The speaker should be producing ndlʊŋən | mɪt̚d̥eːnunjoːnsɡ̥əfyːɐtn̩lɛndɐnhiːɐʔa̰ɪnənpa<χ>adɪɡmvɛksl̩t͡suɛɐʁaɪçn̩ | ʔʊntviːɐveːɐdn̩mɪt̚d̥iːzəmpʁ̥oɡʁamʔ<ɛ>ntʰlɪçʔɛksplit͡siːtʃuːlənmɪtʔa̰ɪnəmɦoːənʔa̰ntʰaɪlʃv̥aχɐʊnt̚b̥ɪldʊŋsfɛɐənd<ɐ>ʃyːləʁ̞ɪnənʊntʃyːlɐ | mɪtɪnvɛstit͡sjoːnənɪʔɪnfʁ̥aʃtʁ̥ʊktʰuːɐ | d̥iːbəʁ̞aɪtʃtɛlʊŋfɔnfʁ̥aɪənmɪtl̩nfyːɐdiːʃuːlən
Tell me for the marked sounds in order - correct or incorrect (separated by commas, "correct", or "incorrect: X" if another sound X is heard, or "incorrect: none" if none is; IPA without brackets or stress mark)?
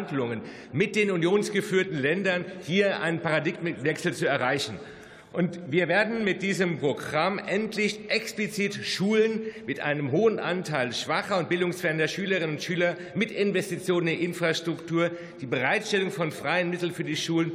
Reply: incorrect: ʁ, correct, correct